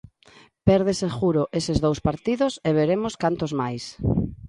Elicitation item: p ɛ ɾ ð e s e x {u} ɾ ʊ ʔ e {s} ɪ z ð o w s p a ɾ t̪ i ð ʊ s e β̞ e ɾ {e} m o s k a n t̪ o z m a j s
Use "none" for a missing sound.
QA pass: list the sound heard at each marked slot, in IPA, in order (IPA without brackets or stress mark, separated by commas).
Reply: u, s, e